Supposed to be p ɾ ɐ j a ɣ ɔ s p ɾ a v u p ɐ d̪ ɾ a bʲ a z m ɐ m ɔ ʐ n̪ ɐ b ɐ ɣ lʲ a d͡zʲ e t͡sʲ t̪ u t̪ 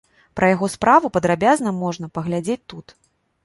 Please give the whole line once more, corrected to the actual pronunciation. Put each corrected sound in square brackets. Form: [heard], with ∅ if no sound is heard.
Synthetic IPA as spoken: p ɾ ɐ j a ɣ ɔ s p ɾ a v u p ɐ d̪ ɾ a bʲ a z [n] ɐ m ɔ ʐ n̪ ɐ [p] ɐ ɣ lʲ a d͡zʲ e t͡sʲ t̪ u t̪